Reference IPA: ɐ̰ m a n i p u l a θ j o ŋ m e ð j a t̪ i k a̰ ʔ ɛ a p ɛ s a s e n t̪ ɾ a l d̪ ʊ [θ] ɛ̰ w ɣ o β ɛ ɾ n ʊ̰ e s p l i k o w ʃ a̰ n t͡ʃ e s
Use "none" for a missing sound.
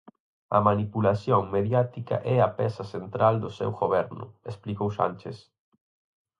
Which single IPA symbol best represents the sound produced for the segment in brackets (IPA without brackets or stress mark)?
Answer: s